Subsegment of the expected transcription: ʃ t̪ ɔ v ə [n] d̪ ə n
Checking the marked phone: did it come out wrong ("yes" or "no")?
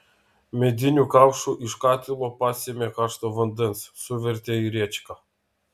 no